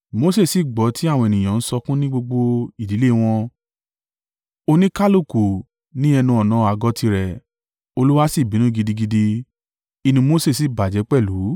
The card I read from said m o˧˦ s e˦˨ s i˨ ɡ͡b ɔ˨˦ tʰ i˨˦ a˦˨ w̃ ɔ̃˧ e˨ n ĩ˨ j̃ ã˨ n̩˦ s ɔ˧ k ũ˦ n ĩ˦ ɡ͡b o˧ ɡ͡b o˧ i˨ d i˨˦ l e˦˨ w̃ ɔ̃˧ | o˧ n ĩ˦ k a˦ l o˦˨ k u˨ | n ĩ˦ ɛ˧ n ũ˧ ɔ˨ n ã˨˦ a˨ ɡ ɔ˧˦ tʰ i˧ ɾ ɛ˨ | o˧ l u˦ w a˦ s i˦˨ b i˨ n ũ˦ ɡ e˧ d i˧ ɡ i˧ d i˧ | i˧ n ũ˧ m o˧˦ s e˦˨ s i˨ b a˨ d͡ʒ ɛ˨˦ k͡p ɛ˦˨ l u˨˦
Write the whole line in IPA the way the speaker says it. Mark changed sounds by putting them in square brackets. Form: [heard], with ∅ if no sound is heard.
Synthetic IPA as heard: m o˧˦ s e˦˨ s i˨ ɡ͡b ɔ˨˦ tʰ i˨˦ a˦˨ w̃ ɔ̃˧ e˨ n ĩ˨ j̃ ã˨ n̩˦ s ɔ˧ k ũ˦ n ĩ˦ ɡ͡b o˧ ɡ͡b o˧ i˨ d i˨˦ l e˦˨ w̃ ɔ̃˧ | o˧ n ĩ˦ k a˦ l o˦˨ k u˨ | n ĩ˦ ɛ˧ n ũ˧ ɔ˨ n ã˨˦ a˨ ɡ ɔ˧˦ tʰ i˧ ɾ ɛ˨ | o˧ l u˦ w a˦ s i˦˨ b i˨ n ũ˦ ɡ [i˧] d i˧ ɡ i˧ d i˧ | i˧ n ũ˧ m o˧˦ s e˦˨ s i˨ b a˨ d͡ʒ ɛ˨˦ k͡p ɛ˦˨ l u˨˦